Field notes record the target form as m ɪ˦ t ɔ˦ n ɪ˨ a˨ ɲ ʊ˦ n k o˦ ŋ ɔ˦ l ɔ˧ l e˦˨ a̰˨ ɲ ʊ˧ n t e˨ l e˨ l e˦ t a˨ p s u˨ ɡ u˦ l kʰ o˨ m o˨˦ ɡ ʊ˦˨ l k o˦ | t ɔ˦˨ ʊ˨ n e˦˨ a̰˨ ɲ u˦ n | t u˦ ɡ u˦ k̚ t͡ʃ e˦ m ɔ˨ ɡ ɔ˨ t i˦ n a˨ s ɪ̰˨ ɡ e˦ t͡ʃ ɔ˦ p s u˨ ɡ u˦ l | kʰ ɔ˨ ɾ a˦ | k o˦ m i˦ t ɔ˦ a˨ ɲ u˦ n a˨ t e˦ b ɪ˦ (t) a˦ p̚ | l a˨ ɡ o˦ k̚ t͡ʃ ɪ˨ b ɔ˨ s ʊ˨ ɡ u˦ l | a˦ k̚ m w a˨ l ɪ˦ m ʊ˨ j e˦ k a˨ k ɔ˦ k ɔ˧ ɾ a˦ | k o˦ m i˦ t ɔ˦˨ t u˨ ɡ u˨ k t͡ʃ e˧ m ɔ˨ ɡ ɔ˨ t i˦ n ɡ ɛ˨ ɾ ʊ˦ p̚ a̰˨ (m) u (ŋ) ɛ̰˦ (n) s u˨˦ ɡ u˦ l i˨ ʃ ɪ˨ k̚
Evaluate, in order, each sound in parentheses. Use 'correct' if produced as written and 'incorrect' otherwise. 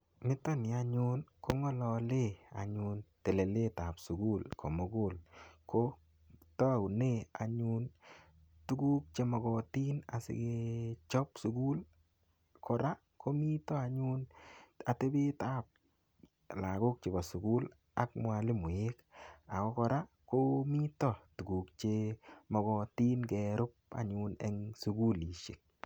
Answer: correct, incorrect, incorrect, incorrect

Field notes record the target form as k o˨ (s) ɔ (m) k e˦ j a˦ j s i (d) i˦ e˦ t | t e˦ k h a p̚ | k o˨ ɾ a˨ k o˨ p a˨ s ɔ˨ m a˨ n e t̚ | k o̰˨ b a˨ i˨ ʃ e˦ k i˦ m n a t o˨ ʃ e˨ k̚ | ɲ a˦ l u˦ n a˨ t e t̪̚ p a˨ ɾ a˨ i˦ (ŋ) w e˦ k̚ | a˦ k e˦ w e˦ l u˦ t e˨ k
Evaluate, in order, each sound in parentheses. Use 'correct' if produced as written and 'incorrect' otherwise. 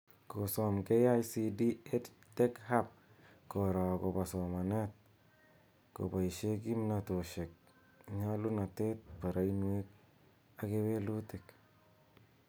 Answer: correct, correct, correct, incorrect

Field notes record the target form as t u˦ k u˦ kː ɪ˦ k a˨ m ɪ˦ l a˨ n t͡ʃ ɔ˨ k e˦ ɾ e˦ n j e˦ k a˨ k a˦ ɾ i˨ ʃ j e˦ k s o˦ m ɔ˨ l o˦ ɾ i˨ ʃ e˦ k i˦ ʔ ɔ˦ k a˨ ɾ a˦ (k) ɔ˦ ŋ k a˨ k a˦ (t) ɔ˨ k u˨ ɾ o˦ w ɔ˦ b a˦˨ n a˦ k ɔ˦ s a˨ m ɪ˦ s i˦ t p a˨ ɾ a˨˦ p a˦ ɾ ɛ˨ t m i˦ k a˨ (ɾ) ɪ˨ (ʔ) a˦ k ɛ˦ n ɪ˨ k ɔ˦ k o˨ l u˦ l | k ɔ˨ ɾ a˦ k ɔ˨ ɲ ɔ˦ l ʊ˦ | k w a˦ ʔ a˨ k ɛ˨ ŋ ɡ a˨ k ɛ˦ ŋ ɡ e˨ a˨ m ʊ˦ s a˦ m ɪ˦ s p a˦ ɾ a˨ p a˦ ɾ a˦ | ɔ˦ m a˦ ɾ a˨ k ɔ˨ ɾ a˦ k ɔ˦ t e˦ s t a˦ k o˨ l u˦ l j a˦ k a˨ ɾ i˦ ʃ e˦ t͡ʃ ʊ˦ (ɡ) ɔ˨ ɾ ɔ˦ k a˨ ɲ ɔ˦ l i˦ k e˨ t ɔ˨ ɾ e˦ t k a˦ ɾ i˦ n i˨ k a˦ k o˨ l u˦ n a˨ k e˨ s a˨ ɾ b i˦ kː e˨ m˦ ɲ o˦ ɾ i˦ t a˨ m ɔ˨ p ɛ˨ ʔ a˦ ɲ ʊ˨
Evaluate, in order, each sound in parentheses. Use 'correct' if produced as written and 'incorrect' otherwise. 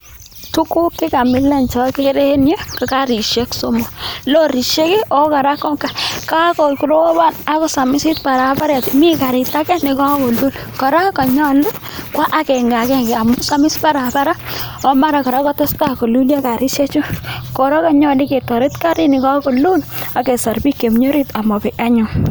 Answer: correct, incorrect, correct, incorrect, incorrect

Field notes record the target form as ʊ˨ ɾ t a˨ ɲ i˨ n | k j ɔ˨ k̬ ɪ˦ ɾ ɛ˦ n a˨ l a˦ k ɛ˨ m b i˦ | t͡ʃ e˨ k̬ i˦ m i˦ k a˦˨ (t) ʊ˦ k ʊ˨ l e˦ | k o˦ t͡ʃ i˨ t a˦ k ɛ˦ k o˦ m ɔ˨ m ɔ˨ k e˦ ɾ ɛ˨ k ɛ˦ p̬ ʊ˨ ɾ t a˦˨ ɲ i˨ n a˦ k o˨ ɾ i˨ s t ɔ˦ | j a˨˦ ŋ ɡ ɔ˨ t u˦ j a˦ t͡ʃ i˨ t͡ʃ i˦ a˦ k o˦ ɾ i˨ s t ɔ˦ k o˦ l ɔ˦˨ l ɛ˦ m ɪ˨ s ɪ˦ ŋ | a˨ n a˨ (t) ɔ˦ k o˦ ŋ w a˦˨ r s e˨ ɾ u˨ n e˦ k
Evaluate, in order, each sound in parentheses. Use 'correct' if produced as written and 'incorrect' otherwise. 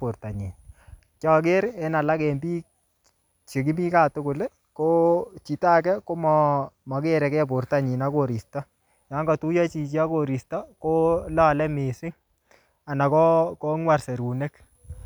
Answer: correct, incorrect

